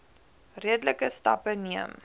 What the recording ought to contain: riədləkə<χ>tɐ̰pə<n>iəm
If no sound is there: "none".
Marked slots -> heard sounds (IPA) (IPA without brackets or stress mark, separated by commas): s, n